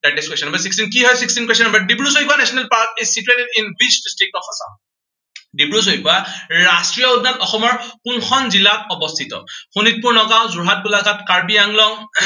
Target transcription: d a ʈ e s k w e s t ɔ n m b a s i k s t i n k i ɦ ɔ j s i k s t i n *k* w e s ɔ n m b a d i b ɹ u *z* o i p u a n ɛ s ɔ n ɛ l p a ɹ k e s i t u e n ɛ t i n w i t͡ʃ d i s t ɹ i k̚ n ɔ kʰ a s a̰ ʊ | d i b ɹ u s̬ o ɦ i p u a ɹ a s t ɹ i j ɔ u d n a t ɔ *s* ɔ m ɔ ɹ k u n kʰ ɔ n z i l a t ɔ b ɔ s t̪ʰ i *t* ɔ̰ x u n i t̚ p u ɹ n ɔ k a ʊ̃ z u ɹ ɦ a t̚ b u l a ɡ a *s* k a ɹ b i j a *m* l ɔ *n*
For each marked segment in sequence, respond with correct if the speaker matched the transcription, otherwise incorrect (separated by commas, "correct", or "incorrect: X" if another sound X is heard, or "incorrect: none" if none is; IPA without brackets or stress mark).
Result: correct, incorrect: s, incorrect: x, correct, incorrect: t, incorrect: ŋ, incorrect: ŋ